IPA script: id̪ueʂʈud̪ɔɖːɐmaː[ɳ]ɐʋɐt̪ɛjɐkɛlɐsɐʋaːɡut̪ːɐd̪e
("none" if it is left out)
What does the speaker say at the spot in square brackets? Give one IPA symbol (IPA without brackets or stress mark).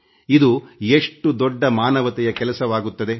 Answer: n